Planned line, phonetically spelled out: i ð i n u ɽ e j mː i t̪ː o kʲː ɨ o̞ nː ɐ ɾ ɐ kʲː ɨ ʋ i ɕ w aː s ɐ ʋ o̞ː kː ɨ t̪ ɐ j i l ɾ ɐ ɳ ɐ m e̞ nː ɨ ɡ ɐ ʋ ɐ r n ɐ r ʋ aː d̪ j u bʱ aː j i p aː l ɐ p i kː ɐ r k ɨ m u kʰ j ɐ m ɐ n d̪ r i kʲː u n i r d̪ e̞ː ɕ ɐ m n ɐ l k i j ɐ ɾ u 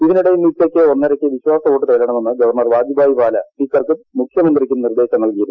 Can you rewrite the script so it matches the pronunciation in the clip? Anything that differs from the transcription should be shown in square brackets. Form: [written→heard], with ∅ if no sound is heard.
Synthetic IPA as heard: i ð i n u ɽ e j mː i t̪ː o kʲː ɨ o̞ nː ɐ ɾ ɐ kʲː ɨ ʋ i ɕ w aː s ɐ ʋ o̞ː [kː→ʈː] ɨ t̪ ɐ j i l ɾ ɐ ɳ ɐ m e̞ nː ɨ ɡ ɐ ʋ ɐ r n ɐ r ʋ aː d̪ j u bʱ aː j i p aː l ɐ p i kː ɐ r k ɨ m u kʰ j ɐ m ɐ n d̪ r i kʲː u n i r d̪ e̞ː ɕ ɐ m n ɐ l k i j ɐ ɾ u